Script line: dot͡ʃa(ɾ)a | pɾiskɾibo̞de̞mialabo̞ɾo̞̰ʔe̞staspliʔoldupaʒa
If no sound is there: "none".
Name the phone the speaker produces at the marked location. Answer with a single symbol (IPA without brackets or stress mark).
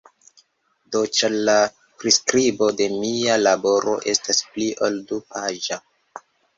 l